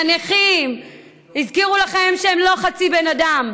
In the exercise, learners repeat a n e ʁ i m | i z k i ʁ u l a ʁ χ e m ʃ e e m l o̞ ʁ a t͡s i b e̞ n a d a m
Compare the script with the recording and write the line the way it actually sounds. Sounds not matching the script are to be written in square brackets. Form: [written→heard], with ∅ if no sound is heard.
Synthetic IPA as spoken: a n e [ʁ→χ] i m | i z k i ʁ u l a [ʁ→∅] χ e m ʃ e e m l o̞ [ʁ→χ] a t͡s i b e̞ n a d a m